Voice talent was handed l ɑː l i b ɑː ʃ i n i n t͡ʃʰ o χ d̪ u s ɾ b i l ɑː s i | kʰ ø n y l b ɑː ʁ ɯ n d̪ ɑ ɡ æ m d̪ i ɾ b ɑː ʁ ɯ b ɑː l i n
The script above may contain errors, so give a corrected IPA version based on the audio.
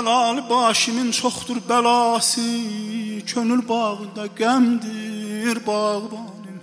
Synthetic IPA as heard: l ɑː l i b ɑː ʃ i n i n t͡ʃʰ o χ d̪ u ɾ b æ l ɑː s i | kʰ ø n y l b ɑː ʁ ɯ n d̪ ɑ ɡ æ m d̪ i ɾ b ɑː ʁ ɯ b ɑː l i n